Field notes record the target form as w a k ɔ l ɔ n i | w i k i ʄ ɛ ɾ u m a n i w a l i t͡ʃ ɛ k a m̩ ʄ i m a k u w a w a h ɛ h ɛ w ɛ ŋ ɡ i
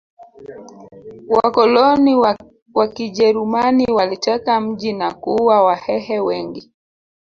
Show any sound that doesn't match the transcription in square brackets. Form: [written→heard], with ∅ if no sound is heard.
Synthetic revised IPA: w a k ɔ l ɔ n i | w [i→a] k i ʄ ɛ ɾ u m a n i w a l i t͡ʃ ɛ k a m̩ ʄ i [m→n] a k u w a w a h ɛ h ɛ w ɛ ŋ ɡ i